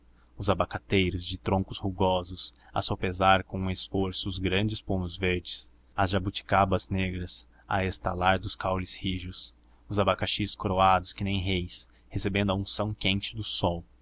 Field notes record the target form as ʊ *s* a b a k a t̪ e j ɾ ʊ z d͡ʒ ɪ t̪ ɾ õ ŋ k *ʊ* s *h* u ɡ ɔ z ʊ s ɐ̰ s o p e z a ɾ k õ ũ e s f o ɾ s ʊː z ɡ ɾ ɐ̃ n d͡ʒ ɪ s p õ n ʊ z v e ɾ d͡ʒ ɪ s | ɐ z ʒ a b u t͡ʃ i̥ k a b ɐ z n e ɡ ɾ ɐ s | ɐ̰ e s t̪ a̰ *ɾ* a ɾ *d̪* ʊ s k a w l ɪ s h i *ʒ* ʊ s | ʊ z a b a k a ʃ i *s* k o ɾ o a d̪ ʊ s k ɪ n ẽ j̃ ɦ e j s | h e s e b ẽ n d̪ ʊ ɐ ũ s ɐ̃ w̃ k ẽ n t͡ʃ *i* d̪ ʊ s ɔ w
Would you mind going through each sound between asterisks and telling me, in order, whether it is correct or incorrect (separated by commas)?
incorrect, correct, correct, incorrect, correct, correct, correct, incorrect